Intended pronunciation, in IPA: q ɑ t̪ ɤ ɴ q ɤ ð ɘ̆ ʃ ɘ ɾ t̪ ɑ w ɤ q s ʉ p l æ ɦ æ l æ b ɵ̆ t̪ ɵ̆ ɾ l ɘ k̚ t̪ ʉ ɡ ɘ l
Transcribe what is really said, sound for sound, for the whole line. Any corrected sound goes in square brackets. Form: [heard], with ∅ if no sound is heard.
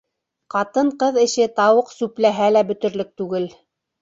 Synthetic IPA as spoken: q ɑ t̪ ɤ ɴ q ɤ ð ɘ̆ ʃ ɘ [∅] t̪ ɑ w ɤ q s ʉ p l æ ɦ æ l æ b ɵ̆ t̪ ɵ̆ ɾ l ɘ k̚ t̪ ʉ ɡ ɘ l